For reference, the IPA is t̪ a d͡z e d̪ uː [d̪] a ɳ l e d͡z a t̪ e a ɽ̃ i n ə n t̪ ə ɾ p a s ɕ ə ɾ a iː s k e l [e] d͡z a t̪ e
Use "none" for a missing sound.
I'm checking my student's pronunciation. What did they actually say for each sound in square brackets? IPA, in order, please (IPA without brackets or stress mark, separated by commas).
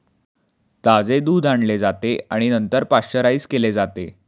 d̪, e